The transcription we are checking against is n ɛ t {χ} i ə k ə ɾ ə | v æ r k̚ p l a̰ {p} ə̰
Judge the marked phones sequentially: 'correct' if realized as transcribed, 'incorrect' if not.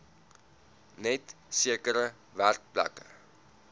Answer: incorrect, incorrect

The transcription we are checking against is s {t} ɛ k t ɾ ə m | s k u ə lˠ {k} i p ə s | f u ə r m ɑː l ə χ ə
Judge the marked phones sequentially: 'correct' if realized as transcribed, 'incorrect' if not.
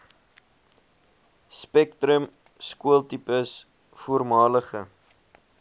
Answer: incorrect, incorrect

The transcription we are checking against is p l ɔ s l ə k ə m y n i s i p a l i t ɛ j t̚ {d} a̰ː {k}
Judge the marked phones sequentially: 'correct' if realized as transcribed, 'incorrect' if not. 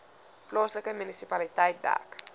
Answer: correct, correct

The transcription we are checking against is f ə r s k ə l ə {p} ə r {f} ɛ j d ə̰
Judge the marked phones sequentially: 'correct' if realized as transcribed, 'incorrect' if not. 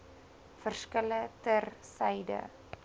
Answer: incorrect, incorrect

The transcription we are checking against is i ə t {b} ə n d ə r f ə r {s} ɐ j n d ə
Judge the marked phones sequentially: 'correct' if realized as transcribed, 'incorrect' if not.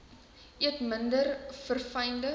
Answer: incorrect, incorrect

